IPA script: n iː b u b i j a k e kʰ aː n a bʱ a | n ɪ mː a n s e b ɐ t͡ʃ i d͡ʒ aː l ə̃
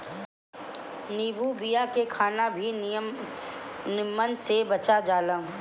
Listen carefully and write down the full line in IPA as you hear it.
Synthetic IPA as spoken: n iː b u b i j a k e kʰ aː n a bʱ i | n ɪ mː ə n s e b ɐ t͡ʃ a d͡ʒ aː l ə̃